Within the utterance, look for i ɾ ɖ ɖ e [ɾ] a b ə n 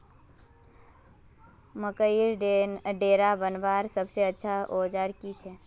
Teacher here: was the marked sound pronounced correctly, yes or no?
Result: yes